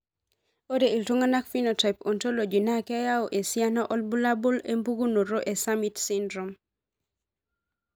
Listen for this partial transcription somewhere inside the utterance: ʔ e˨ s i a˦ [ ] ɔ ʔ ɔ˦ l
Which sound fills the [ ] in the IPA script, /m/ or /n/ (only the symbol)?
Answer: n